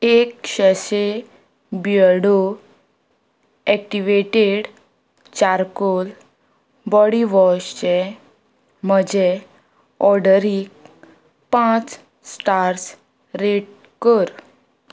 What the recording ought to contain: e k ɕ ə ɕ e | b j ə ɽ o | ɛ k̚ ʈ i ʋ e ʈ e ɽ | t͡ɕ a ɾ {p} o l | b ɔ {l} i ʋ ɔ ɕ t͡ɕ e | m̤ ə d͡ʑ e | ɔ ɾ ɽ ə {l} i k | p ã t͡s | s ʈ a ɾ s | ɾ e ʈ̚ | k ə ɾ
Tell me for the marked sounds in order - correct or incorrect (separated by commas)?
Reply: incorrect, incorrect, incorrect